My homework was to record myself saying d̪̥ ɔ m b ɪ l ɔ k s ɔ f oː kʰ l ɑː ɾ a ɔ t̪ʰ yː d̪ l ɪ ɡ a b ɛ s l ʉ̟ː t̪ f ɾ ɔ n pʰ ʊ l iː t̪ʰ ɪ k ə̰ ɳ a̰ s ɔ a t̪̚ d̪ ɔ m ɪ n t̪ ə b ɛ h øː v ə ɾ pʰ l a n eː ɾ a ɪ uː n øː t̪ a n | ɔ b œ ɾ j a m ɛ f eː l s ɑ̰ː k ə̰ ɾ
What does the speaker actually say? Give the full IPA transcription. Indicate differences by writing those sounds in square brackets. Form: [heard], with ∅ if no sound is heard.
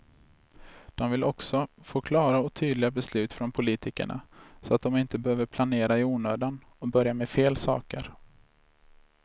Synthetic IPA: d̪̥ ɔ m [v] ɪ l ɔ k s ɔ f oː kʰ l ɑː ɾ a ɔ t̪ʰ yː d̪ l ɪ ɡ a b ɛ s l ʉ̟ː t̪ f ɾ ɔ n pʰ ʊ l iː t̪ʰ ɪ k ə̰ ɳ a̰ s ɔ a t̪̚ d̪ ɔ m ɪ n t̪ ə b ɛ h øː v ə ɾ pʰ l a n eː ɾ a ɪ uː n øː [d̪] a n | ɔ b œ ɾ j a m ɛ f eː l s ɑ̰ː k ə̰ ɾ